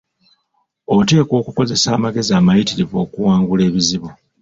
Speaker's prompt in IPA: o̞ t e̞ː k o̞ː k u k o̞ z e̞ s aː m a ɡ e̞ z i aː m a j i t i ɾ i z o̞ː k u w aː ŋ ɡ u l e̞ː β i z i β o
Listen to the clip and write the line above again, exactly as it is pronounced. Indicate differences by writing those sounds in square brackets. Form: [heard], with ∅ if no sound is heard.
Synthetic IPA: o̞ t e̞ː k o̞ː k u k o̞ z e̞ s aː m a ɡ e̞ z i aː m a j i t i ɾ i [v] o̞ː k u w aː ŋ ɡ u l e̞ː β i z i β o